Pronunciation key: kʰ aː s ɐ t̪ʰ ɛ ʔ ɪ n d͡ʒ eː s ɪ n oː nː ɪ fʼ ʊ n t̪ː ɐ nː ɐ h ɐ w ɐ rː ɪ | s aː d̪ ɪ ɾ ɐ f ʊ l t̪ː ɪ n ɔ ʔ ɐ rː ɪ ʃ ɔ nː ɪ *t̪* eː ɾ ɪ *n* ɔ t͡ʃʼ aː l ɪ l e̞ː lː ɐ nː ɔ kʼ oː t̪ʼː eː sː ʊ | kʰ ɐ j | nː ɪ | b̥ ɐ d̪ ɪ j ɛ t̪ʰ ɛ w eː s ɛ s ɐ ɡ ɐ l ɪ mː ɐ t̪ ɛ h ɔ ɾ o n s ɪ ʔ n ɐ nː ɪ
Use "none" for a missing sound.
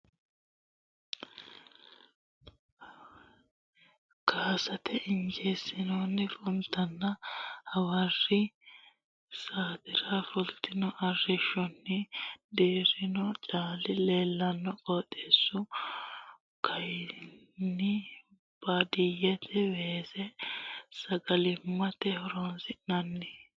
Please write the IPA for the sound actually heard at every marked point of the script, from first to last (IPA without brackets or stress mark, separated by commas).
d̪, n